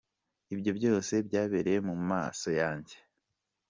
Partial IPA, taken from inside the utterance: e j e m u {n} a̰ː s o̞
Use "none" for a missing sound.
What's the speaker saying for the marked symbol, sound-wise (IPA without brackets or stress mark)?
m